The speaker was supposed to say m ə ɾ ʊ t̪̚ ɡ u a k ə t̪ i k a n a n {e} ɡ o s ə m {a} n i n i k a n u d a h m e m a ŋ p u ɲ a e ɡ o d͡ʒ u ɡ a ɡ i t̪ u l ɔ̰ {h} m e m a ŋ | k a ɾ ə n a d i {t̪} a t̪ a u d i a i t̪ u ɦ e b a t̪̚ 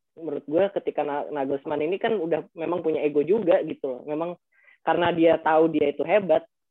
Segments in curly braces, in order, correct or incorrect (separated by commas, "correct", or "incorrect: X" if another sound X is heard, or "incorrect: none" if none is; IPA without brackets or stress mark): incorrect: a, correct, correct, incorrect: none